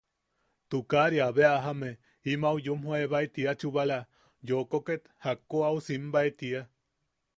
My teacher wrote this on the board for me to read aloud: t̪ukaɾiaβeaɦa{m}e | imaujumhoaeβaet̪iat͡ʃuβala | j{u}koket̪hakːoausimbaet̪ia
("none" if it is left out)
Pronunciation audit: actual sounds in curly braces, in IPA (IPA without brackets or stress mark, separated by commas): m, o